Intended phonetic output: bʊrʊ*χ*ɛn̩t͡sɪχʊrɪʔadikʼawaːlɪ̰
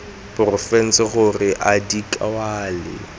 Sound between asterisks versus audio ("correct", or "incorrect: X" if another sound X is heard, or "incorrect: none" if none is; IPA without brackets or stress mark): incorrect: f